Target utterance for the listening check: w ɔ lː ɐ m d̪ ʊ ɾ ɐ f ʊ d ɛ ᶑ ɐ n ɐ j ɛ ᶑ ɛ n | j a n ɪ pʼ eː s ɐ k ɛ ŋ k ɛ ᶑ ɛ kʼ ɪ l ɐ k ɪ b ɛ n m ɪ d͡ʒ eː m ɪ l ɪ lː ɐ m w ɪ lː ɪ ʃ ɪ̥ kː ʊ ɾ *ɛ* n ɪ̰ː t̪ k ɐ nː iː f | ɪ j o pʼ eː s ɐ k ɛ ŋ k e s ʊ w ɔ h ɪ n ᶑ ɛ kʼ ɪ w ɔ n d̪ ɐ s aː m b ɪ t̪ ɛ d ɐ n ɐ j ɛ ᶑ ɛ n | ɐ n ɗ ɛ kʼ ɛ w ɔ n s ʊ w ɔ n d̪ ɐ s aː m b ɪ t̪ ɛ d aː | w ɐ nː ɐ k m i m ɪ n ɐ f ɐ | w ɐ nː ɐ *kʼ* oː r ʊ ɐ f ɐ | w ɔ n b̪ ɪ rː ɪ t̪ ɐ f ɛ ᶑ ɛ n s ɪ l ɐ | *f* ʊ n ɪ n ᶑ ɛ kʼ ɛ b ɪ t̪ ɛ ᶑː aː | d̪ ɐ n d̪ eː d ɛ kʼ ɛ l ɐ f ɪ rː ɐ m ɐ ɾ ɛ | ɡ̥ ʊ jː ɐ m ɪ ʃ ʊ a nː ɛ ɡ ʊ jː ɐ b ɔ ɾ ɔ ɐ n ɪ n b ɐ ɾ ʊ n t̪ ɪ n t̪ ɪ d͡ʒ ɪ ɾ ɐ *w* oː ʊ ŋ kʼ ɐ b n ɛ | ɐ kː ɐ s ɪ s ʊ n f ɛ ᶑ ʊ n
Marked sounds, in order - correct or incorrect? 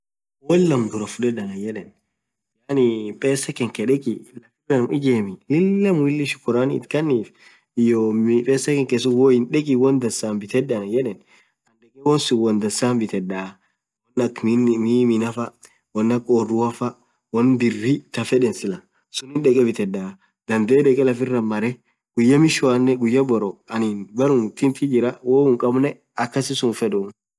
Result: incorrect: a, correct, incorrect: s, correct

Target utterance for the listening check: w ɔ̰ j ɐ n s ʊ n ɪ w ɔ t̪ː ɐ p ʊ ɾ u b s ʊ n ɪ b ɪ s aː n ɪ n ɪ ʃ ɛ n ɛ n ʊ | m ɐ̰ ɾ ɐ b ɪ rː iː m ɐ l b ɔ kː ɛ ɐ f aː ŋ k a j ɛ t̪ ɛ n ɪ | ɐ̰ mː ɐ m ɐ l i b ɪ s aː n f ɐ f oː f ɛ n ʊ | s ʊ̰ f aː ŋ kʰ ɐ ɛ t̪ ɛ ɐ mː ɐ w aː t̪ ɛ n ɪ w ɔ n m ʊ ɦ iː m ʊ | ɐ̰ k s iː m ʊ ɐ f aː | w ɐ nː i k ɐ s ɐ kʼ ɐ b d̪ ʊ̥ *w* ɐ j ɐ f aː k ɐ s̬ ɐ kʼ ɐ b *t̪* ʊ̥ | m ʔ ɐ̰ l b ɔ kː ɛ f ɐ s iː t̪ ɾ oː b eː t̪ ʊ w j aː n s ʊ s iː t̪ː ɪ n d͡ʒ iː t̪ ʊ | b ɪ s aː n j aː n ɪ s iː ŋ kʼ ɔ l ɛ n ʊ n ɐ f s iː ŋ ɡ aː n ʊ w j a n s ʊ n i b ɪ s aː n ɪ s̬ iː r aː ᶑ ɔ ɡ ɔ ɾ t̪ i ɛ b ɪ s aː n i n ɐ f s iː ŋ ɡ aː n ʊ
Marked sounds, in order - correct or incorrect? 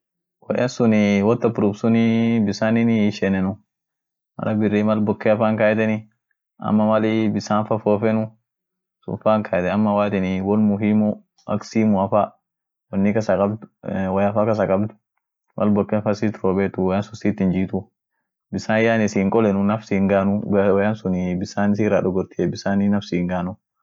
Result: correct, incorrect: d̪

